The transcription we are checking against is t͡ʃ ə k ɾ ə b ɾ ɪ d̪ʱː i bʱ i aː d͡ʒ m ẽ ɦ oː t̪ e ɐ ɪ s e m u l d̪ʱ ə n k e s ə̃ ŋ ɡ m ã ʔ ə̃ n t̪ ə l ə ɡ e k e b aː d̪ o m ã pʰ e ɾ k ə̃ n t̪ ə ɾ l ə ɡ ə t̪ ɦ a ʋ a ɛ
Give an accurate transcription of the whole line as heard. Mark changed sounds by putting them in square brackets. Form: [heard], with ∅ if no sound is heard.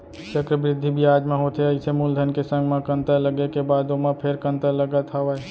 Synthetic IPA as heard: t͡ʃ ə k ɾ ə b ɾ ɪ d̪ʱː i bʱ i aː d͡ʒ m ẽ ɦ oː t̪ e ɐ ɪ s e m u l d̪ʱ ə n k e s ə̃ ŋ ɡ m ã [k] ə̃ n t̪ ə l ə ɡ e k e b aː d̪ o m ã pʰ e ɾ k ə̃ n t̪ ə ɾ l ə ɡ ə t̪ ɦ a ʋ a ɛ